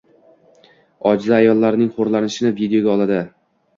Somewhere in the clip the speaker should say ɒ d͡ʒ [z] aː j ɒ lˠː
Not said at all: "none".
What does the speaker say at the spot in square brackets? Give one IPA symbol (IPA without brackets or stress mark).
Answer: z